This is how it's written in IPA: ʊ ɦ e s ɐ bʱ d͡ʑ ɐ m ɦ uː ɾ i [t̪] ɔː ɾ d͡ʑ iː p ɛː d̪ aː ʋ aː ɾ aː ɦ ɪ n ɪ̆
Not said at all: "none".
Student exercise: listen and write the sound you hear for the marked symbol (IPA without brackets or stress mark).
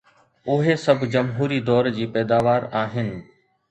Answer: d̪